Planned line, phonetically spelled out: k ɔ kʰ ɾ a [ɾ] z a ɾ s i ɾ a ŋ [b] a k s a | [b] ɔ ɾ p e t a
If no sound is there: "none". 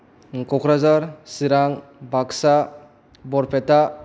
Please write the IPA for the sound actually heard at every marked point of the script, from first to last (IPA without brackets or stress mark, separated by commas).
none, b, b